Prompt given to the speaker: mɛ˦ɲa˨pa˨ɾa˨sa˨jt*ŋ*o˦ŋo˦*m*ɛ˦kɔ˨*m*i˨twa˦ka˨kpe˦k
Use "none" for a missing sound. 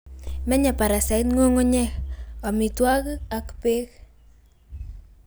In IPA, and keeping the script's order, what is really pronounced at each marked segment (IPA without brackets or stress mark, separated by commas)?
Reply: ŋ, ɲ, m